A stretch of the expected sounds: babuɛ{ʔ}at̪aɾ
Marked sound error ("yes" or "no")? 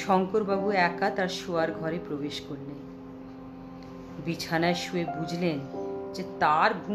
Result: yes